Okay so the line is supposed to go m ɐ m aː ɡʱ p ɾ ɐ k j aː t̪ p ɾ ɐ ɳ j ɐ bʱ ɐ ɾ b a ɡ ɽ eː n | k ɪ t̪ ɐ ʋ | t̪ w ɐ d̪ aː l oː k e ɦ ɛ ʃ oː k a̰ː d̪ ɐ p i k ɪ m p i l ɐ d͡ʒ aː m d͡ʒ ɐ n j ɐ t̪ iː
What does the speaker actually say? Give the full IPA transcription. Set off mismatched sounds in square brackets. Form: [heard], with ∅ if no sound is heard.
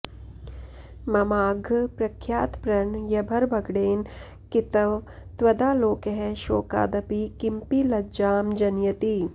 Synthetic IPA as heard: m ɐ m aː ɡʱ p ɾ ɐ [kʰ] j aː t̪ p ɾ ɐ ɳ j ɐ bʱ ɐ ɾ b [ɐ] ɡ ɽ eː n | k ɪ t̪ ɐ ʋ | t̪ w ɐ d̪ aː l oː k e ɦ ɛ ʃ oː k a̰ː d̪ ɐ p i k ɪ m p i l ɐ d͡ʒ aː m d͡ʒ ɐ n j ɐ t̪ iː